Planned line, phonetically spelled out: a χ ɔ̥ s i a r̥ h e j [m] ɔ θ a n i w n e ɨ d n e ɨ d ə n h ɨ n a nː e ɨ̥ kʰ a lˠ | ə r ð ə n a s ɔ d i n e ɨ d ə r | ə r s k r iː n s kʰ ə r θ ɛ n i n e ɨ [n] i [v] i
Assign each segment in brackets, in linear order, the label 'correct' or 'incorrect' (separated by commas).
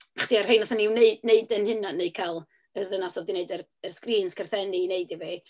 incorrect, incorrect, correct